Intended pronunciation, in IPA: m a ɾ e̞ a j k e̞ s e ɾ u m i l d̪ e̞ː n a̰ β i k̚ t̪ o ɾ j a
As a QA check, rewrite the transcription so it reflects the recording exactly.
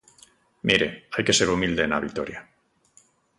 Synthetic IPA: m i ɾ e̞ a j k e̞ s e ɾ u m i l d̪ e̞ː n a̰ β i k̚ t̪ o ɾ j a

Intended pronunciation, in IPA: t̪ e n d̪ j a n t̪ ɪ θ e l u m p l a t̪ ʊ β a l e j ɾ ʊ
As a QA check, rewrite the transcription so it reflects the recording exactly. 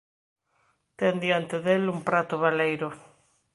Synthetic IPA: t̪ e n d̪ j a n t̪ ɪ ð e l u m p ɾ a t̪ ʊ β a l e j ɾ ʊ

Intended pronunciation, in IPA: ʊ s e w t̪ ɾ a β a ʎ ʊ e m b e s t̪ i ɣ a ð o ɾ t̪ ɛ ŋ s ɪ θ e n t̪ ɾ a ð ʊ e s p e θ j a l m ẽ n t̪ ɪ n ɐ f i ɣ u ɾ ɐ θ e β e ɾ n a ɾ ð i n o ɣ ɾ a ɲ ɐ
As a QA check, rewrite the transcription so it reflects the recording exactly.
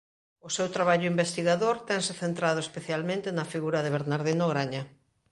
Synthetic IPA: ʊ s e w t̪ ɾ a β a ʎ ʊ i m b e s t̪ i ɣ a ð o ɾ t̪ ɛ ŋ s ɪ θ e n t̪ ɾ a ð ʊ e s p e θ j a l m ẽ n t̪ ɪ n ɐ f i ɣ u ɾ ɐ ð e β e ɾ n a ɾ ð i n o ɣ ɾ a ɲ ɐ

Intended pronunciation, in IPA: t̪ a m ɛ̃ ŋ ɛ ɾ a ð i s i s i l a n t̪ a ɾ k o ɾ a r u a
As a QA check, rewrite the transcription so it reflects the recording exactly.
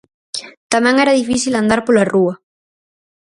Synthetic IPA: t̪ a m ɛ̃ ŋ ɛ ɾ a ð i f i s i l a n d̪ a ɾ p o l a r u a

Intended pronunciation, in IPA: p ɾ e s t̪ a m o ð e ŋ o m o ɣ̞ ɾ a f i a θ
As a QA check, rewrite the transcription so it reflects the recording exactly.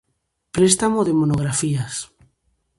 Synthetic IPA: p ɾ e s t̪ a m o ð e m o n o ɣ̞ ɾ a f i a s

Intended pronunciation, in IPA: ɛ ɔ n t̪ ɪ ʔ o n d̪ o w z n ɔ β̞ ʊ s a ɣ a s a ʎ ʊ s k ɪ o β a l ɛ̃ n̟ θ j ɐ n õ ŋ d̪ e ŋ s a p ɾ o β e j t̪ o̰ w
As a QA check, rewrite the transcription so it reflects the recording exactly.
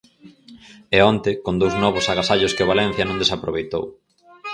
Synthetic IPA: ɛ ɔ n t̪ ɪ k o n d̪ o w z n ɔ β̞ ʊ s a ɣ a s a ʎ ʊ s k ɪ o β a l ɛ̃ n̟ θ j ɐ n õ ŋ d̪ e s a p ɾ o β e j t̪ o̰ w

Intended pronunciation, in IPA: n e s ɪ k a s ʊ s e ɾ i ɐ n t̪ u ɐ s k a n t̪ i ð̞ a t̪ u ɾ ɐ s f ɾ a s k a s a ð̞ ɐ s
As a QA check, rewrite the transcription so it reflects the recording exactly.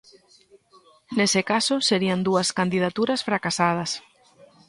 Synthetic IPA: n e s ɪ k a s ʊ s e ɾ i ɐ n d̪ u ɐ s k a n d̪ i ð̞ a t̪ u ɾ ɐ s f ɾ a k a s a ð̞ ɐ s

